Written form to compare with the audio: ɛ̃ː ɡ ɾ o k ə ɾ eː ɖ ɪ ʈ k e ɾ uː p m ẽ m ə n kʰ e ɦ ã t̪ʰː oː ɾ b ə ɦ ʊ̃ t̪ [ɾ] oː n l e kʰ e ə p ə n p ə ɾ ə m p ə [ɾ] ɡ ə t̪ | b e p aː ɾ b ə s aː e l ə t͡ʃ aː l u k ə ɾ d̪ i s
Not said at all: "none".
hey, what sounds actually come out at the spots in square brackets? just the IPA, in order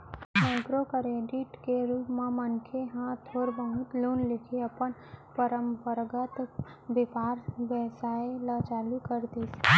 l, ɾ

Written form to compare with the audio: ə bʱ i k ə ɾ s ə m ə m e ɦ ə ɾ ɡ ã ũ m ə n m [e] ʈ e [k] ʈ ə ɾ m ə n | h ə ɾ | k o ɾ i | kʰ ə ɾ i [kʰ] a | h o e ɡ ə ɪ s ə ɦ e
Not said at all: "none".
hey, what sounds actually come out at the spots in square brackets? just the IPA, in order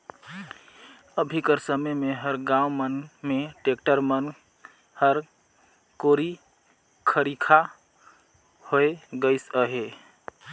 e, k, kʰ

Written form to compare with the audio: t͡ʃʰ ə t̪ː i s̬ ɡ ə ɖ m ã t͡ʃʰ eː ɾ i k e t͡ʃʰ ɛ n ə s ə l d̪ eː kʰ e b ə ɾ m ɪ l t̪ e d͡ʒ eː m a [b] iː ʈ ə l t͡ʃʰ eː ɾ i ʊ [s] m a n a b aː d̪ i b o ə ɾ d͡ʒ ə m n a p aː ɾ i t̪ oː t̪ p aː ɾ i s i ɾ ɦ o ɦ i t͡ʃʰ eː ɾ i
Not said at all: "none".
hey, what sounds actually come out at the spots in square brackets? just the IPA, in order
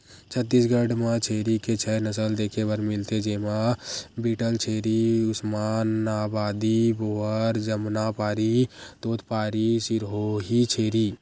b, s

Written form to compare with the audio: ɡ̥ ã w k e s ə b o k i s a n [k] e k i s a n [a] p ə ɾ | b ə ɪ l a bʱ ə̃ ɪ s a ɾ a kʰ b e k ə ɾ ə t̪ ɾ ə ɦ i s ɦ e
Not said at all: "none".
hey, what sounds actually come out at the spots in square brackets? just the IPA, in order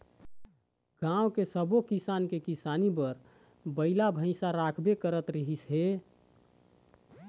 k, i

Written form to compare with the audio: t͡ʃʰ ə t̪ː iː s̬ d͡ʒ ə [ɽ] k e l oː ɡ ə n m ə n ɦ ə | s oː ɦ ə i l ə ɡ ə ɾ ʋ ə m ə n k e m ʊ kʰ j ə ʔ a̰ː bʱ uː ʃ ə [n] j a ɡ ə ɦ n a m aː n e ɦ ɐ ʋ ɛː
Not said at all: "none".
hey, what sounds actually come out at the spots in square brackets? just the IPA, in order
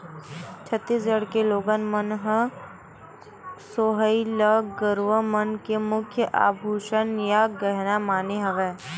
ɽ, n

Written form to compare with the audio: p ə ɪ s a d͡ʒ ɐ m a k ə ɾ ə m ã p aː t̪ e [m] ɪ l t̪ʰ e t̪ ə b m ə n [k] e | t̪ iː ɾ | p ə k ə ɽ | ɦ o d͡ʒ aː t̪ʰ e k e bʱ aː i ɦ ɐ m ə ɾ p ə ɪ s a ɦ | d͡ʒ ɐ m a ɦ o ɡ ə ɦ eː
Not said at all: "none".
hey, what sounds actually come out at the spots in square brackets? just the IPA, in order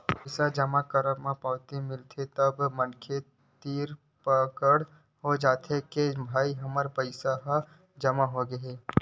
m, kʰ

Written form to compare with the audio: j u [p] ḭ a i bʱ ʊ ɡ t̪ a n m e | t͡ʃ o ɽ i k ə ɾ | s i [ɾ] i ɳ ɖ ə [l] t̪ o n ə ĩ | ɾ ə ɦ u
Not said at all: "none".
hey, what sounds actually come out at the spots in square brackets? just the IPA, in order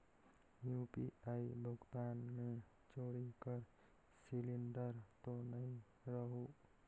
p, l, ɾ

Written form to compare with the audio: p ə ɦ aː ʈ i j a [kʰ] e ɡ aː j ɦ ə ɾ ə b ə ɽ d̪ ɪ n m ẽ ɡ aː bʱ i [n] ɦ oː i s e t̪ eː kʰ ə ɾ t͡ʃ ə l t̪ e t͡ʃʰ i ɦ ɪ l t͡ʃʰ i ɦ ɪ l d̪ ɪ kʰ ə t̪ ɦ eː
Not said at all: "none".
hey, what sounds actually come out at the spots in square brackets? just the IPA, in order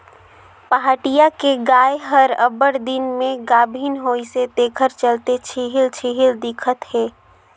k, n

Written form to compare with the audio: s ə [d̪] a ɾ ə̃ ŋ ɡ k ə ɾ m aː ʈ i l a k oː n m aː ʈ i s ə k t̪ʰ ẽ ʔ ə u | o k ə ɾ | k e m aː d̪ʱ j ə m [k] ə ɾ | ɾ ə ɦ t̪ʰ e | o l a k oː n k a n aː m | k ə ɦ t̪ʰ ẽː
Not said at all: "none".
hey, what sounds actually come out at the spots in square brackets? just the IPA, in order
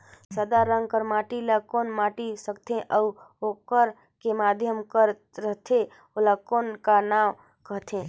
d̪, k

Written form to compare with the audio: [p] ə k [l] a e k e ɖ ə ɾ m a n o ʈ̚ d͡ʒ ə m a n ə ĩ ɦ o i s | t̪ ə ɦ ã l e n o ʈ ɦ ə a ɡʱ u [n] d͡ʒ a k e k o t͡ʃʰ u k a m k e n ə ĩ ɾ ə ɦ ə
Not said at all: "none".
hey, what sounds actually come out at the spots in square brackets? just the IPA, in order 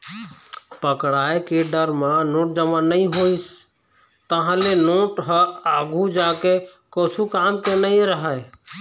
p, ɽ, none

